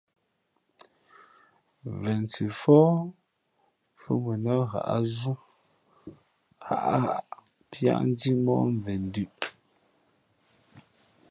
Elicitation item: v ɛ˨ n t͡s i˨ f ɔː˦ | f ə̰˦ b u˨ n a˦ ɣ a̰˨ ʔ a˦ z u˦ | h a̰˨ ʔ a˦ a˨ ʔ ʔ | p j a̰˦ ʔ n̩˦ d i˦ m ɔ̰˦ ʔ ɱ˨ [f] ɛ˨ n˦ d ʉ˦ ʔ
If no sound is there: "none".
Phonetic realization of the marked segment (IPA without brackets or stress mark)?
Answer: v